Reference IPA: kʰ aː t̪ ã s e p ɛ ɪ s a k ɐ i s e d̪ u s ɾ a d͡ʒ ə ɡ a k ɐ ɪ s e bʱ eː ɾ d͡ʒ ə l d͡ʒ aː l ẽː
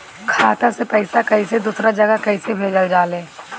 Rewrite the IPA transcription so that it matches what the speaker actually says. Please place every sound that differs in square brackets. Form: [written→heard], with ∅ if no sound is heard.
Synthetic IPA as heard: kʰ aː t̪ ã s e p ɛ ɪ s a k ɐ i s e d̪ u s ɾ a d͡ʒ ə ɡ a k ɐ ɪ s e bʱ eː [ɾ→∅] d͡ʒ ə l d͡ʒ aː l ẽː